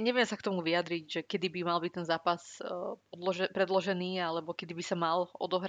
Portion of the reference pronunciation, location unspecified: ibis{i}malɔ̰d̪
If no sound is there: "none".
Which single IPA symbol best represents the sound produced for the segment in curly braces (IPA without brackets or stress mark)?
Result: a